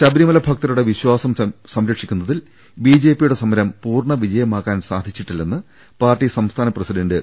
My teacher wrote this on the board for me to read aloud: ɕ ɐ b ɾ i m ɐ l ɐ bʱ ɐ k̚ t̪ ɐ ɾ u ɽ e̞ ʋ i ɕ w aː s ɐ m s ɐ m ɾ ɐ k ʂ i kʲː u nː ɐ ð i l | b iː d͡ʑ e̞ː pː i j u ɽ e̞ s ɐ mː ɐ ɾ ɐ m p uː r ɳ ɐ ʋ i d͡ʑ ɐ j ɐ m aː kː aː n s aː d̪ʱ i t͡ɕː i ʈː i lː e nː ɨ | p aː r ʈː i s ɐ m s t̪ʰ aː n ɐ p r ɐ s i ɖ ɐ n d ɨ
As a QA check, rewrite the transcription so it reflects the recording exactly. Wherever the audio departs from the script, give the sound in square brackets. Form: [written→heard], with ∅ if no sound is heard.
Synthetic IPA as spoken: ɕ ɐ b ɾ i m ɐ l ɐ bʱ ɐ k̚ t̪ ɐ ɾ u ɽ e̞ ʋ i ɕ w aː s ɐ m s ɐ m ɾ ɐ k ʂ i kʲː u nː ɐ ð i l | b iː d͡ʑ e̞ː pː i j u ɽ e̞ s ɐ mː ɐ ɾ ɐ m p uː r ɳ ɐ ʋ i d͡ʑ ɐ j ɐ m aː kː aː n s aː d̪ʱ i t͡ɕː i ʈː i lː e nː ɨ | p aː r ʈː i s ɐ m s t̪ʰ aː n ɐ p r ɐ s i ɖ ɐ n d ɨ

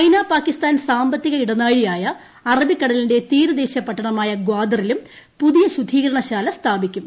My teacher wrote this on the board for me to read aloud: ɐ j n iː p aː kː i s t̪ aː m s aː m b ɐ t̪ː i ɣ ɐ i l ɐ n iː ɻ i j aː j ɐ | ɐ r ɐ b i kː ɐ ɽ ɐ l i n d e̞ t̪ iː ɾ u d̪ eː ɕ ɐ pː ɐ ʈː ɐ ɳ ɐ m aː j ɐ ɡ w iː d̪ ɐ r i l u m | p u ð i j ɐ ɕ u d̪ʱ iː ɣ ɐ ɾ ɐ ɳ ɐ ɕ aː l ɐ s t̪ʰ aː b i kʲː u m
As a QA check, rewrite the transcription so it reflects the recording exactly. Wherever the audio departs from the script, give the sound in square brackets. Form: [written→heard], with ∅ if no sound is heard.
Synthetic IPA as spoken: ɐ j n [iː→aː] p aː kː i s t̪ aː [m→n] s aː m b ɐ t̪ː i ɣ ɐ i [l→ɽ] ɐ n [iː→aː] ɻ i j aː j ɐ | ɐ r ɐ b i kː ɐ ɽ ɐ l i n d e̞ t̪ iː ɾ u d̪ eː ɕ ɐ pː ɐ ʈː ɐ ɳ ɐ m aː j ɐ ɡ w [iː→aː] d̪ ɐ r i l u m | p u ð i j ɐ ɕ u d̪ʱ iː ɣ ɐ ɾ ɐ ɳ ɐ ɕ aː l ɐ s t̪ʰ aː b i kʲː u m

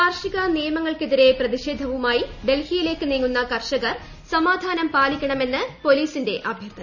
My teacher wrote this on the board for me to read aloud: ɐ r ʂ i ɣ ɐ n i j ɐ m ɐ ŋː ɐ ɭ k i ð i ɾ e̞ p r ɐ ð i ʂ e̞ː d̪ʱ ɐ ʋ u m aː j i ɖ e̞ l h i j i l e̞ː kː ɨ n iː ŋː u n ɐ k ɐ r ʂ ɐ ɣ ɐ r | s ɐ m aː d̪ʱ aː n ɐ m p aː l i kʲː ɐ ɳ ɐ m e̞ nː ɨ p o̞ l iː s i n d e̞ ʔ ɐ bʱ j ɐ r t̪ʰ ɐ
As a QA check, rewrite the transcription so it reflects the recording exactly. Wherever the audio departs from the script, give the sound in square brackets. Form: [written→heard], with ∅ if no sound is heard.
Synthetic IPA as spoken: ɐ r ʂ i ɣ ɐ n i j ɐ m ɐ ŋː ɐ ɭ k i ð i ɾ e̞ p r ɐ ð i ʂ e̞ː d̪ʱ ɐ ʋ u m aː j i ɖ e̞ l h i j i l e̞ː kː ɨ n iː ŋː u [n→nː] ɐ k ɐ r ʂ ɐ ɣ ɐ r | s ɐ m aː d̪ʱ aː n ɐ m p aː l i kʲː ɐ ɳ ɐ m e̞ nː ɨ p o̞ l iː s i n d e̞ ʔ ɐ bʱ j ɐ r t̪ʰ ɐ

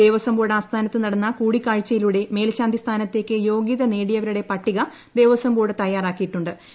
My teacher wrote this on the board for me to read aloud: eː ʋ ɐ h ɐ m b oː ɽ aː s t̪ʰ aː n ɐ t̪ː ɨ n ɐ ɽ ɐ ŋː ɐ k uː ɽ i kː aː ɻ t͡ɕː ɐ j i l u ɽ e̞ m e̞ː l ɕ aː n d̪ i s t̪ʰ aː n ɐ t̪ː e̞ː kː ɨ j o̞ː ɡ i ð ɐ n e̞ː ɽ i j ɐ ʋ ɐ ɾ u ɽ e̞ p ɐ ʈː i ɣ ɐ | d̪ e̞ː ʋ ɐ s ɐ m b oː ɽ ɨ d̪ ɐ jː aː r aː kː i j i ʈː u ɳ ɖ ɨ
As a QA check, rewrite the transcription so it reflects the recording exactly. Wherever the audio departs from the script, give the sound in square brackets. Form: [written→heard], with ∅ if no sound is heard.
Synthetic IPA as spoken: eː ʋ ɐ [h→s] ɐ m b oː ɽ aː s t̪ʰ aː n ɐ t̪ː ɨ n ɐ ɽ ɐ [ŋː→nː] ɐ k uː ɽ i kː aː ɻ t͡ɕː ɐ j i l u ɽ e̞ m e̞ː l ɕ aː n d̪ i s t̪ʰ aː n ɐ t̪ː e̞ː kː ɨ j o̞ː ɡ i ð ɐ n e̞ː ɽ i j ɐ ʋ ɐ ɾ u ɽ e̞ p ɐ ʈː i ɣ ɐ | d̪ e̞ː ʋ ɐ s ɐ m b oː ɽ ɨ [d̪→t̪] ɐ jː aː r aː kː i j i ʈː u ɳ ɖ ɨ

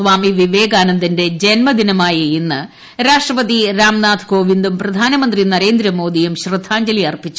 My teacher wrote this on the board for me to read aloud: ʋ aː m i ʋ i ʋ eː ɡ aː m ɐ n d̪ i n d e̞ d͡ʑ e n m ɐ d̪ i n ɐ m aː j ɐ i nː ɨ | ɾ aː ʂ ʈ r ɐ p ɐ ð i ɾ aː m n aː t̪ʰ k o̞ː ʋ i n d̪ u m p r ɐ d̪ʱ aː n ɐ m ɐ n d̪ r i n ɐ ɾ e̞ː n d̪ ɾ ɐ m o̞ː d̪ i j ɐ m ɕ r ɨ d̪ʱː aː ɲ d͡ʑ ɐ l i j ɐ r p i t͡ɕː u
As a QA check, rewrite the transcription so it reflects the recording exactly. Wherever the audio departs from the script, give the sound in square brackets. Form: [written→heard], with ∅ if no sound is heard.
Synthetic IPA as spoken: ʋ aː m i ʋ i ʋ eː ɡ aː [m→n] ɐ n d̪ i n d e̞ d͡ʑ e n m ɐ d̪ i n ɐ m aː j ɐ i nː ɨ | ɾ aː ʂ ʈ r ɐ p ɐ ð i ɾ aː m n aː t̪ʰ k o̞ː ʋ i n d̪ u m p r ɐ d̪ʱ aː n ɐ m ɐ n d̪ r i n ɐ ɾ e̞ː n d̪ ɾ ɐ m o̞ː d̪ i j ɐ m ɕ r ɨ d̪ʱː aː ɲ d͡ʑ ɐ l i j ɐ r p i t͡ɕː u

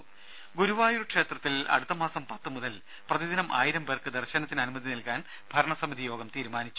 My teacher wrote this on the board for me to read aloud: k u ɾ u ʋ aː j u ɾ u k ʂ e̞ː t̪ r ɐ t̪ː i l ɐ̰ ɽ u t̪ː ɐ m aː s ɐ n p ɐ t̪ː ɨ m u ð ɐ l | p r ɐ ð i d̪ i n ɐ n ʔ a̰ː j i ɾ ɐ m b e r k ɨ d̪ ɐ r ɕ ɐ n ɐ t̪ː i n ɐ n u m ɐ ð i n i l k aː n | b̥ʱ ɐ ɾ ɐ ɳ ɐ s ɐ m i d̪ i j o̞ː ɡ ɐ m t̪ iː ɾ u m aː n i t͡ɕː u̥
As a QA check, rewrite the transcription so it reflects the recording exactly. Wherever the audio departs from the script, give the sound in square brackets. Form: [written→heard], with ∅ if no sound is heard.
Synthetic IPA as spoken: [k→ɡ] u ɾ u ʋ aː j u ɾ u k ʂ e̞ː t̪ r ɐ t̪ː i l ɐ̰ ɽ u t̪ː ɐ m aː s ɐ [n→m] p ɐ t̪ː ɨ m u ð ɐ l | p r ɐ ð i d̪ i n ɐ [n→m] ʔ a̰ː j i ɾ ɐ m b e r k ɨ d̪ ɐ r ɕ ɐ n ɐ t̪ː i n ɐ n u m ɐ ð i n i l k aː n | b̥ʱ ɐ ɾ ɐ ɳ ɐ s ɐ m i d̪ i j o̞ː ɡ ɐ m t̪ iː ɾ u m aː n i t͡ɕː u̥

